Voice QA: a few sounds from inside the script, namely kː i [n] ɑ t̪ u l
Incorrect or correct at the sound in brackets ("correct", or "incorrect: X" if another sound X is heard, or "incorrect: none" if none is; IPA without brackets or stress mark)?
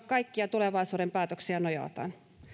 incorrect: none